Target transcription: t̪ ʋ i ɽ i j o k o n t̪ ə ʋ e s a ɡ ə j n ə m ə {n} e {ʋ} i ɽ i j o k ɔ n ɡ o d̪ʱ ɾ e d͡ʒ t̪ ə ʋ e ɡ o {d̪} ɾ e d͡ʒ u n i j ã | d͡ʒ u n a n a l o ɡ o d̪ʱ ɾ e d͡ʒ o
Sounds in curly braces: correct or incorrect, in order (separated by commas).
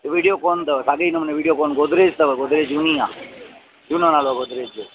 correct, correct, correct